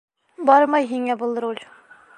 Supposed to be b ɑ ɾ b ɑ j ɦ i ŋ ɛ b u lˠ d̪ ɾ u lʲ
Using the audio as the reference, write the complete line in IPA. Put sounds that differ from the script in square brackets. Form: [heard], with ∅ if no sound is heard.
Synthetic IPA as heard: b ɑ ɾ [m] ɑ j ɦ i ŋ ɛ b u lˠ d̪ ɾ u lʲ